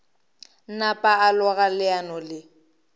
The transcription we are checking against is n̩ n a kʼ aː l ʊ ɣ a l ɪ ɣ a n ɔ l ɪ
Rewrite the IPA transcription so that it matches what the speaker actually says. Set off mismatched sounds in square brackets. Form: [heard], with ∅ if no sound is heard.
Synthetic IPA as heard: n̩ n a [pʼ] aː l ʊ ɣ a l ɪ [∅] a n ɔ l ɪ